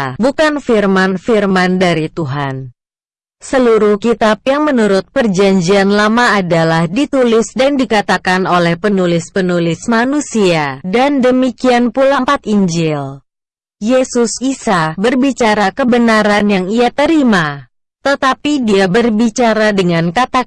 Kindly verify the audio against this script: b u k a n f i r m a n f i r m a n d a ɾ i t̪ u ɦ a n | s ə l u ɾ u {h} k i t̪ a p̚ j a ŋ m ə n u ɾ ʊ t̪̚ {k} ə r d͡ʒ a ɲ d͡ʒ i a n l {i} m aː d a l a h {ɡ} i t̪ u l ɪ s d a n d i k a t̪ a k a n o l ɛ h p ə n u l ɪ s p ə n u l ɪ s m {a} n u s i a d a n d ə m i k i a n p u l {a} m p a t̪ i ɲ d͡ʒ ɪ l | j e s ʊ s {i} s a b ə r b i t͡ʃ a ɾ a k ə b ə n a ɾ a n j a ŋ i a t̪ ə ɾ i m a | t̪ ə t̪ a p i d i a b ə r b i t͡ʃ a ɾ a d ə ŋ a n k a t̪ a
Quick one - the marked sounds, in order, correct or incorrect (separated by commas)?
correct, incorrect, incorrect, incorrect, correct, correct, correct